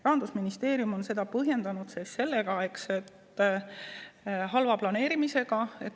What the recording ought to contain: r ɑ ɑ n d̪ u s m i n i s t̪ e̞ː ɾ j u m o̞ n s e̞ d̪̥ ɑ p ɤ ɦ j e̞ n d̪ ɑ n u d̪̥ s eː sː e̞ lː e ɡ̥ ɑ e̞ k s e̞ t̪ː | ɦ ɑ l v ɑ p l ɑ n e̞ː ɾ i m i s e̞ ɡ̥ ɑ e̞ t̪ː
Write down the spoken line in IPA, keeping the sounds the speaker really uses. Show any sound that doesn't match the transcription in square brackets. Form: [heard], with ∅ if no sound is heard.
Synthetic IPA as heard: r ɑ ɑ n d̪ u s m i n i s t̪ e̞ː ɾ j u m o̞ n s e̞ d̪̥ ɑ p ɤ ɦ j e̞ n d̪ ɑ n u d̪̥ s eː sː e̞ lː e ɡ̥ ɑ e̞ k s e̞ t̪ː | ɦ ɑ l v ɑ p l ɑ n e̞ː ɾ i m i s e̞ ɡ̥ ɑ e̞ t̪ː